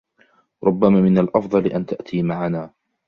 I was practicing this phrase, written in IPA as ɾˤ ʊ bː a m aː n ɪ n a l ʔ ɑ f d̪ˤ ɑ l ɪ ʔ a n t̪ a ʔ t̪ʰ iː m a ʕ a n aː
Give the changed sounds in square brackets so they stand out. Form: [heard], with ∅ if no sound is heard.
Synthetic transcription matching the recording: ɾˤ ʊ bː a m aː [m] ɪ n a l ʔ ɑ f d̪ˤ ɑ l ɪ ʔ a n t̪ a ʔ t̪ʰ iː m a ʕ a n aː

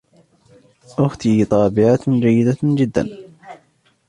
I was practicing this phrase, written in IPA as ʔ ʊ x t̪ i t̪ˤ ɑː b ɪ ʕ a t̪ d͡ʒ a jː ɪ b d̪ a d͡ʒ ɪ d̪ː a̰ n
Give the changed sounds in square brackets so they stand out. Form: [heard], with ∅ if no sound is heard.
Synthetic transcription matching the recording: ʔ ʊ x t̪ i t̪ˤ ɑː b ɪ ʕ a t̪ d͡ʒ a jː ɪ [∅] d̪ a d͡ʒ ɪ d̪ː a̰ n

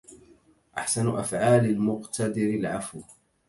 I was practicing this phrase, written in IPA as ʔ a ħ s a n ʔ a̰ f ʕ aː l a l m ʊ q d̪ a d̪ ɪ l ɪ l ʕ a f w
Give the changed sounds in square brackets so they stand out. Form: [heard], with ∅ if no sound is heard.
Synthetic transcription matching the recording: ʔ a ħ s a n ʔ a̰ f ʕ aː l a l m ʊ q [t̪] a d̪ ɪ [ɾ] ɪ l ʕ a f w

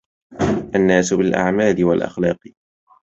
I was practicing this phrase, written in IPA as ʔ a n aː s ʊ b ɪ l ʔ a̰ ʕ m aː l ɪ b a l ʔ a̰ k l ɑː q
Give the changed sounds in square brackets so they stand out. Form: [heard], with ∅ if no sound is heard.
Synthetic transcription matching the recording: ʔ a [nː] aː s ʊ b ɪ l ʔ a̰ ʕ m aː l ɪ [w] a l ʔ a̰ [x] l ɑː q

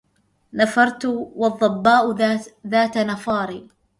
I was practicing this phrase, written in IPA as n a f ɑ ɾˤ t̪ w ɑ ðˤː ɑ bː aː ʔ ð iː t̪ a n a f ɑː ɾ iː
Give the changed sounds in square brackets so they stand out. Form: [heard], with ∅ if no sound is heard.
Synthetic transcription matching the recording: n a f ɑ ɾˤ t̪ w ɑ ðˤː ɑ bː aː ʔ ð [aː] t̪ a n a f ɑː ɾ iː

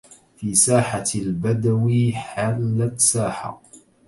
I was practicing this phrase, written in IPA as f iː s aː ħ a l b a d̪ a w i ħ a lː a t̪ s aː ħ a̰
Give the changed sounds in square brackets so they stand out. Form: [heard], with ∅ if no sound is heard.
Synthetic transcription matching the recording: f iː s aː ħ a l b a d̪ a w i ħ a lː a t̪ s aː ħ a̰

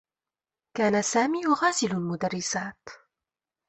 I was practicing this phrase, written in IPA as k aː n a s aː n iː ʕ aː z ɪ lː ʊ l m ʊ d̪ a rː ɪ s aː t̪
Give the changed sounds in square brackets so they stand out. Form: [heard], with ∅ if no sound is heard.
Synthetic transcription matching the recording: k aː n a s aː [m] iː [ɣ] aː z ɪ [l] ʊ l m ʊ d̪ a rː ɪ s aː t̪

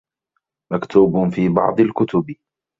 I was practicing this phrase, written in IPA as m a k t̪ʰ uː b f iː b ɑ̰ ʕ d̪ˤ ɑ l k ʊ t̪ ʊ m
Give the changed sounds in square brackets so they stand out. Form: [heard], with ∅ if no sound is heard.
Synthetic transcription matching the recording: m a k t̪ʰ uː b f iː b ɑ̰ ʕ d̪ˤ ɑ l k ʊ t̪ ʊ [b]

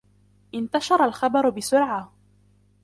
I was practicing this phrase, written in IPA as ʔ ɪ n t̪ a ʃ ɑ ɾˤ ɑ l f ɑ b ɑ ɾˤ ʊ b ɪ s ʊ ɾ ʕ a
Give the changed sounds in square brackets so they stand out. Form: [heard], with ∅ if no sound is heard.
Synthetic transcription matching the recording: ʔ ɪ n t̪ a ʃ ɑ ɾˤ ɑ l [x] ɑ b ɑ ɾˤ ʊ b ɪ s ʊ ɾ ʕ a

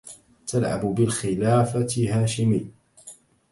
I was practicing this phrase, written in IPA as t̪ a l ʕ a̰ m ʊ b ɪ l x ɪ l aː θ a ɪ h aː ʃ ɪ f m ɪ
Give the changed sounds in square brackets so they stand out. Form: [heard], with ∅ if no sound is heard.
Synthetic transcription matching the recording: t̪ a l ʕ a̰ [b] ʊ b ɪ l x ɪ l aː [f] a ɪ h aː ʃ ɪ [∅] m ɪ

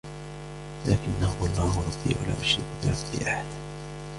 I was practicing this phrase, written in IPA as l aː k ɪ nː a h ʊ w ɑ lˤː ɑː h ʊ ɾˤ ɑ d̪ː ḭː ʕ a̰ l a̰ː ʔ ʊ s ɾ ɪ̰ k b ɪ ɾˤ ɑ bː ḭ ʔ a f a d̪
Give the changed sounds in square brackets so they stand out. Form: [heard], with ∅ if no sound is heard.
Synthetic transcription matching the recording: l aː k ɪ nː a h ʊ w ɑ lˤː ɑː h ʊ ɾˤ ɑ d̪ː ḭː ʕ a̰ l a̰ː ʔ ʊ [ʃ] ɾ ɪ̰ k b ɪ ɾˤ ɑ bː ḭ ʔ a [ħ] a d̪

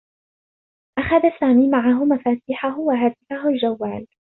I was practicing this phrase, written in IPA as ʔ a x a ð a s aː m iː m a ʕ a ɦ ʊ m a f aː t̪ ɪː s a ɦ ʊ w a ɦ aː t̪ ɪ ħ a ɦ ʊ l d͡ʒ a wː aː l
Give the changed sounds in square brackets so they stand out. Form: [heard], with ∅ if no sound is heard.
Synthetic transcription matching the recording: ʔ a x a ð a s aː m iː m a ʕ a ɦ ʊ m a f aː t̪ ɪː [ħ] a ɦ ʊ w a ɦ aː t̪ ɪ [f] a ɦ ʊ l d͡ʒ a wː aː l

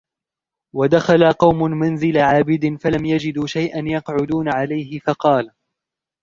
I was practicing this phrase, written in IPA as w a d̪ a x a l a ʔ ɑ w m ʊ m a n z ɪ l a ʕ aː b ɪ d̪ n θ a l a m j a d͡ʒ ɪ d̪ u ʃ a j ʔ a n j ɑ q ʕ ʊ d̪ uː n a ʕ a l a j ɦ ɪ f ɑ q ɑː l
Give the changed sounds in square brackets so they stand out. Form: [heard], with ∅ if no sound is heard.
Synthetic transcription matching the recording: w a d̪ a x a l a [q] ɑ w m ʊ m a n z ɪ l a ʕ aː b ɪ d̪ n [f] a l a m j a d͡ʒ ɪ d̪ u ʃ a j ʔ a n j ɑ q ʕ ʊ d̪ uː n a ʕ a l a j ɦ ɪ f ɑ q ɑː l

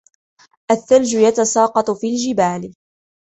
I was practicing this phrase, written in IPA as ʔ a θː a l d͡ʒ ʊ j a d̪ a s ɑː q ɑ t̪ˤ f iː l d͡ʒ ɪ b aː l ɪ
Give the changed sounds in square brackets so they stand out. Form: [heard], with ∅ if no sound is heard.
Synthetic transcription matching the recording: ʔ a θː a l d͡ʒ ʊ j a [t̪] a s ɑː q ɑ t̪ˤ f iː l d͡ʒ ɪ b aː l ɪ

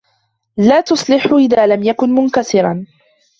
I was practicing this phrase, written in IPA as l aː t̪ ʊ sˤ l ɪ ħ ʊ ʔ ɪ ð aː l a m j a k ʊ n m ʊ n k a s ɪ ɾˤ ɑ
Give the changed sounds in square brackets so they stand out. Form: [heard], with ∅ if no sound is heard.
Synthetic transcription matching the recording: l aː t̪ ʊ sˤ l ɪ ħ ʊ ʔ ɪ ð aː l a m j a k ʊ n m ʊ n k a s ɪ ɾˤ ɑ

